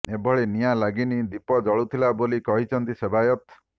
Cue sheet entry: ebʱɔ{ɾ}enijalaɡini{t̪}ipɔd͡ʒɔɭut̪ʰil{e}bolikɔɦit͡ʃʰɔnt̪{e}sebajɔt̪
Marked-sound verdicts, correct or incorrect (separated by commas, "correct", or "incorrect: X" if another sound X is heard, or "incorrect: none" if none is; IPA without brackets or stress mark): incorrect: ɭ, incorrect: d̪, incorrect: a, incorrect: i